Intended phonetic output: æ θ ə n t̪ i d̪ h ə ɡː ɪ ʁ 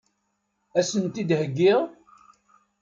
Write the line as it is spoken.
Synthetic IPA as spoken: æ s ə n t̪ i d̪ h ə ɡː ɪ ʁ